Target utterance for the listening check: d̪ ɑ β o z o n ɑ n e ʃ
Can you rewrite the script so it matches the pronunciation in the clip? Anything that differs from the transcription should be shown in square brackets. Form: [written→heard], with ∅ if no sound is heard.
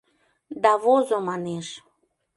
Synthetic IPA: d̪ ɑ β o z o [n→m] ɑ n e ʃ